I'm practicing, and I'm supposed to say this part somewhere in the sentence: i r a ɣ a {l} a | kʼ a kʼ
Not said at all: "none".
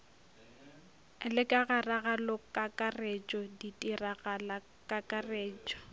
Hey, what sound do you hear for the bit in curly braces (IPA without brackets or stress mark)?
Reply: l